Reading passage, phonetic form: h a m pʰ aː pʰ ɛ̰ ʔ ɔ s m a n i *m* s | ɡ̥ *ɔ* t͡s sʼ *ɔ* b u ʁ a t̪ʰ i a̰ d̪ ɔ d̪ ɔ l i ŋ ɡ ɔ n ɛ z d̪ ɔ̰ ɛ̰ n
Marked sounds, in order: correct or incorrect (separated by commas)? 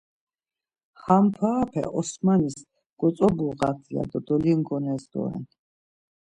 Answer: incorrect, correct, correct